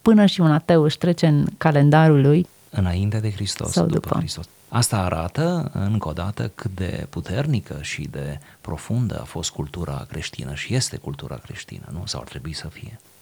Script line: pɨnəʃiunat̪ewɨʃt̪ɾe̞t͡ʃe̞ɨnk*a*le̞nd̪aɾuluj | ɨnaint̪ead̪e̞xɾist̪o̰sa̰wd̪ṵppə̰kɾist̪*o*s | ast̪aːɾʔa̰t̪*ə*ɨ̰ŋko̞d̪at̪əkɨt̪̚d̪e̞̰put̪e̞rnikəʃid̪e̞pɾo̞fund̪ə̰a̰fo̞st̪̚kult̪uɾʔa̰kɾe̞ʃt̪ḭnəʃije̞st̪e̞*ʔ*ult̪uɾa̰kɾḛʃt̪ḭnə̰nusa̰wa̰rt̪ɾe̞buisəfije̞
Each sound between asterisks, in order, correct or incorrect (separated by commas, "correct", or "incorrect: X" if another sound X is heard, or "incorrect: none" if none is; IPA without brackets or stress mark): correct, correct, correct, incorrect: k